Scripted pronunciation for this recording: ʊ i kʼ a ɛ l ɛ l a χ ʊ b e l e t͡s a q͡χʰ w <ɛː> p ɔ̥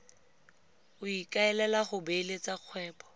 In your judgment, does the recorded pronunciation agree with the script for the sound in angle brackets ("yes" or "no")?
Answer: yes